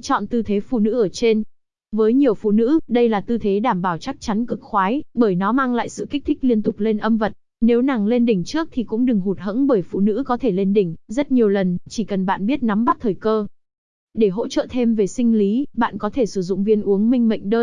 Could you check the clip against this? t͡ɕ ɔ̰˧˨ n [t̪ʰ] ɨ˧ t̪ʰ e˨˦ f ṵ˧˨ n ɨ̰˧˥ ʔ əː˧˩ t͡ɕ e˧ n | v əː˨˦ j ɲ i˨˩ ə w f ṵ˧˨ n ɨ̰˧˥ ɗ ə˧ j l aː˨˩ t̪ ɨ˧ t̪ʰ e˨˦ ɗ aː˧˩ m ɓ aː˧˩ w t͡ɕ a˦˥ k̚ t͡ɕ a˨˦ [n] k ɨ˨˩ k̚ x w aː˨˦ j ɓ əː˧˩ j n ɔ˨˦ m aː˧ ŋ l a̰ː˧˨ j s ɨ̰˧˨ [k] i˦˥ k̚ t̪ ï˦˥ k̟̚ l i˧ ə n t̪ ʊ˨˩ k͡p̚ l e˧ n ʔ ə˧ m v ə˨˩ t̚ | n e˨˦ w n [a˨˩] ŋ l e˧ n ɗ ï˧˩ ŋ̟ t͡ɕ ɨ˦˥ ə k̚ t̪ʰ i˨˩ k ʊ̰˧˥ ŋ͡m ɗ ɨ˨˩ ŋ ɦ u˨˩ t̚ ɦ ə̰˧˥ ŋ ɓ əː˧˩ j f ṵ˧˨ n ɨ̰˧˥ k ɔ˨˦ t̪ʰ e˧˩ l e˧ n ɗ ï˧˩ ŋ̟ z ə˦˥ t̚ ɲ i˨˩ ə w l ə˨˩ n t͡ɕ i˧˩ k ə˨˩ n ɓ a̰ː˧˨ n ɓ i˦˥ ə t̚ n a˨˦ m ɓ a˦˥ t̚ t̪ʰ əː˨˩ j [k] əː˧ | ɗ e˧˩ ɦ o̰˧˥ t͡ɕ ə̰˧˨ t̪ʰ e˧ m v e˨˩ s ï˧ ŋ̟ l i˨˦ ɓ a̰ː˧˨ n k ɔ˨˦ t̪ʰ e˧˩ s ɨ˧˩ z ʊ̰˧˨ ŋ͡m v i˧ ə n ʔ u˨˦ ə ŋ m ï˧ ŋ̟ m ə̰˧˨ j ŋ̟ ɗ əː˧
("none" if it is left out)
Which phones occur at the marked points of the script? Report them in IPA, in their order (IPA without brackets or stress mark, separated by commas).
t̪, n, k, a˨˩, k